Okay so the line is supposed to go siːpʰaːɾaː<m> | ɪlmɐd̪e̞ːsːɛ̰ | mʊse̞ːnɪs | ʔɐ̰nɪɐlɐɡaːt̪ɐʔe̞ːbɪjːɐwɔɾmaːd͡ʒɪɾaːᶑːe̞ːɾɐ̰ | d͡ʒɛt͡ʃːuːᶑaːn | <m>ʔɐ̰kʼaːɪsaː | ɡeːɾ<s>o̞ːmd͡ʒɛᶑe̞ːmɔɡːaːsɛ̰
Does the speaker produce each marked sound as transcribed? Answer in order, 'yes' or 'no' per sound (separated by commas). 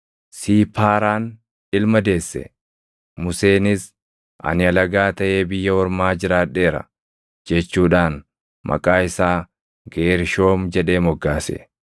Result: no, yes, no